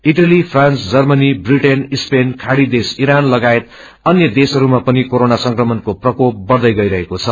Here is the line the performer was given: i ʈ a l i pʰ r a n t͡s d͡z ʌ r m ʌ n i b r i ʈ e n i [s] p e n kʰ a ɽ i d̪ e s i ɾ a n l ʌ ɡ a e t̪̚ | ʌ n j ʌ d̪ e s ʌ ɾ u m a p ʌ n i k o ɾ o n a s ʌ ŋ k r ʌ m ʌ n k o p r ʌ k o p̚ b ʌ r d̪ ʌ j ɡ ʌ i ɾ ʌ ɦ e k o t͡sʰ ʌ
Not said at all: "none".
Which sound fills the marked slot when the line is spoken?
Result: s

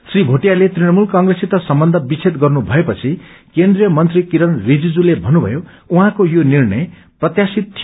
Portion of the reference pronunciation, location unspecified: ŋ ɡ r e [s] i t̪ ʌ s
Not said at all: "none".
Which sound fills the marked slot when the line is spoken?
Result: s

